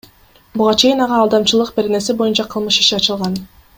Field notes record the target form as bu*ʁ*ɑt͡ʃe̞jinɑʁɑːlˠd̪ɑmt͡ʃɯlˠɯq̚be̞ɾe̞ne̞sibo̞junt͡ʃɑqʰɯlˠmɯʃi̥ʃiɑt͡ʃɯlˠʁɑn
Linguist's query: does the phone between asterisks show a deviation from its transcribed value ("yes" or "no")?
no